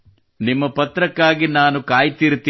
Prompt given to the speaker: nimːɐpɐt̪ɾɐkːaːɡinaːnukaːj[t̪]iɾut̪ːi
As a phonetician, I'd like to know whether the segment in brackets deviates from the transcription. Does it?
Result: no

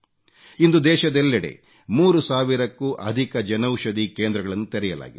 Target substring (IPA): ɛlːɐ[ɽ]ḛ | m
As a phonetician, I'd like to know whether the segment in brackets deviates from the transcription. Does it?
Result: no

